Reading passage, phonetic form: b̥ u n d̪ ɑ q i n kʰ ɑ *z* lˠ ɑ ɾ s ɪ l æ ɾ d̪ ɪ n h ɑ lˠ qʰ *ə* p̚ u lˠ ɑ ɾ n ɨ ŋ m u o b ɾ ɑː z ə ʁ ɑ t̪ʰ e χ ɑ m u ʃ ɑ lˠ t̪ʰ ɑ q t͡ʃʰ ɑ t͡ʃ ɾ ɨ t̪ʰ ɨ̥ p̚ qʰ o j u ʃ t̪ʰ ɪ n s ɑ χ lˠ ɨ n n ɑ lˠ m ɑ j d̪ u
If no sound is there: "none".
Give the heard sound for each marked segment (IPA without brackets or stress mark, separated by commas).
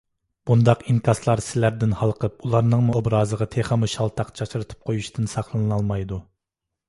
s, ə